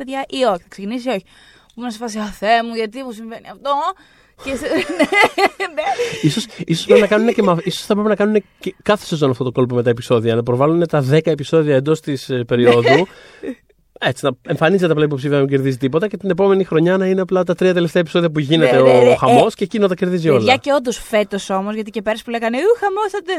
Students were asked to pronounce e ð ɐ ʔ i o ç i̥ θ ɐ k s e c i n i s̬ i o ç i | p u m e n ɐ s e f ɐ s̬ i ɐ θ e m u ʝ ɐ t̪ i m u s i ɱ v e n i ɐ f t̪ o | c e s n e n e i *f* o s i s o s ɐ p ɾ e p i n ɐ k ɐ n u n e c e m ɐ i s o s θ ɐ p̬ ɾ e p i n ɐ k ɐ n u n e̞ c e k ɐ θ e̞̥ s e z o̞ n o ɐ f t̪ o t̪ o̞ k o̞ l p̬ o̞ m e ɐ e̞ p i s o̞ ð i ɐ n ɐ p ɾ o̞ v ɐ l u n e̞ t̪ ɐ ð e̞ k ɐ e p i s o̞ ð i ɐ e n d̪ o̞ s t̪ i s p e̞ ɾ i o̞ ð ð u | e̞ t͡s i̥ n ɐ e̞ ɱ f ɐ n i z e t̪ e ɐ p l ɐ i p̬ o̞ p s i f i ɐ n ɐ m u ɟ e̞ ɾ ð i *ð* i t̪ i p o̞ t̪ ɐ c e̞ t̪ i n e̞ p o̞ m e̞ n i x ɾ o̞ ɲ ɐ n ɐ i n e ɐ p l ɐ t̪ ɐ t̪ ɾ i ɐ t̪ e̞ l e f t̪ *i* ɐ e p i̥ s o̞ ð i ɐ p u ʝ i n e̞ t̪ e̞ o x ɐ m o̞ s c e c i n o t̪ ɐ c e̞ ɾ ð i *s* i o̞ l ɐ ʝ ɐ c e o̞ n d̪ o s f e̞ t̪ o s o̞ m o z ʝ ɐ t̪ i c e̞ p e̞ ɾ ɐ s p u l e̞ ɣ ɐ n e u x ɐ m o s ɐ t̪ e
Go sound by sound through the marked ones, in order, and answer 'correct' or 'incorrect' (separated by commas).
incorrect, incorrect, incorrect, incorrect